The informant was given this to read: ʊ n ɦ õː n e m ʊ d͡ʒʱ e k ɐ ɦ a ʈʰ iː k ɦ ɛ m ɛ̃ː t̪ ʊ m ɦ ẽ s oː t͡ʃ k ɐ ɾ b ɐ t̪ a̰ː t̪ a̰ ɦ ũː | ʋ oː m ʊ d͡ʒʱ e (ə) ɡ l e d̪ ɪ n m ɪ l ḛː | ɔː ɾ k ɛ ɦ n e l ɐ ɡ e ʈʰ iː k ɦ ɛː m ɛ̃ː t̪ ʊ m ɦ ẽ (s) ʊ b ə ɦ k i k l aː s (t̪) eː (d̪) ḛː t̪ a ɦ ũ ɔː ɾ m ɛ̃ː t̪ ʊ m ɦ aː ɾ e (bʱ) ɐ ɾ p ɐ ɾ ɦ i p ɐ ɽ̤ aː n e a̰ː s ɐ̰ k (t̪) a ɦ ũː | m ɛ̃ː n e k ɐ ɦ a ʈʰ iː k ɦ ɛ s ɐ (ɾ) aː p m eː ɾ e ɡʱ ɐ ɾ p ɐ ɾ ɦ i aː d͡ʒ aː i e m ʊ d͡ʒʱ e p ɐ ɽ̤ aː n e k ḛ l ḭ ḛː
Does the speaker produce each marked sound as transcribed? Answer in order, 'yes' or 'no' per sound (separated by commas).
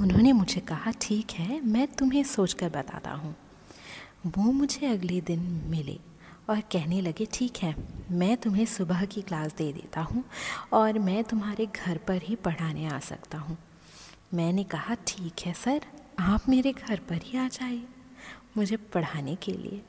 no, yes, no, yes, no, yes, yes